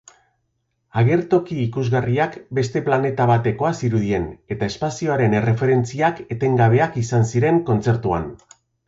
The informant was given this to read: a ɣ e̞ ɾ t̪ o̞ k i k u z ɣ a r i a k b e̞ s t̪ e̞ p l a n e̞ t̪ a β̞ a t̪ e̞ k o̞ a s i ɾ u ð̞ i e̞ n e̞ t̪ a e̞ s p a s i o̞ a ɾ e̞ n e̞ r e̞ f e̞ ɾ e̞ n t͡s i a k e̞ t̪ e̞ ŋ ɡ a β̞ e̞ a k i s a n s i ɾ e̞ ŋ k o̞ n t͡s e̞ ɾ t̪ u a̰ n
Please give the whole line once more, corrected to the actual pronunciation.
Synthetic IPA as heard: a ɣ e̞ ɾ t̪ o̞ k iː k u z ɣ a r i a k b e̞ s t̪ e̞ p l a n e̞ t̪ a β̞ a t̪ e̞ k o̞ a s i ɾ u ð̞ i e̞ n e̞ t̪ a e̞ s p a s i o̞ a ɾ e̞ n e̞ r e̞ f e̞ ɾ e̞ n t͡s i a k e̞ t̪ e̞ ŋ ɡ a β̞ e̞ a k i s a n s i ɾ e̞ ŋ k o̞ n t͡s e̞ ɾ t̪ u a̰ n